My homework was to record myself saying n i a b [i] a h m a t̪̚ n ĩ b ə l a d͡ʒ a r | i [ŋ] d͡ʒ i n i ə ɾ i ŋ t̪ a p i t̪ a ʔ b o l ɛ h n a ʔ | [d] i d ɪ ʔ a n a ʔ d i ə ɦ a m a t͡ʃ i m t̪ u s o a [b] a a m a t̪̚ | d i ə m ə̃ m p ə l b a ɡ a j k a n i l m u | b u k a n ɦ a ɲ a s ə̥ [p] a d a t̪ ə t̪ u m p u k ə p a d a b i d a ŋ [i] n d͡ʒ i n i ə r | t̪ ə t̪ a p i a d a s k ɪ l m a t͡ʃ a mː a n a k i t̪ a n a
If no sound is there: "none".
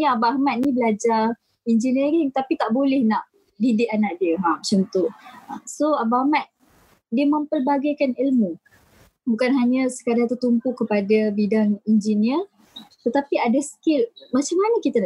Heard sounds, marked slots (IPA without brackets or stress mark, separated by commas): a, n, d, b, k, i